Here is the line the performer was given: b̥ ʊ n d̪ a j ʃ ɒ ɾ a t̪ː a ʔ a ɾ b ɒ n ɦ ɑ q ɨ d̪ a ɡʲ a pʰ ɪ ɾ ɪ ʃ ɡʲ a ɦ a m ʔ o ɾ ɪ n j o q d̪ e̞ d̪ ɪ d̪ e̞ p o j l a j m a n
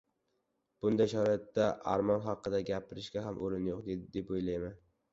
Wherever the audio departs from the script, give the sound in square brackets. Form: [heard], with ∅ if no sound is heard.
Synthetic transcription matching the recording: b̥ ʊ n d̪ a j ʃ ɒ ɾ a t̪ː a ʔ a ɾ [m] ɒ n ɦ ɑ q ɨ d̪ a ɡʲ a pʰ ɪ ɾ ɪ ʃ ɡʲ a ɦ a m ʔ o ɾ ɪ n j o q d̪ e̞ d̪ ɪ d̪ e̞ p o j l a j m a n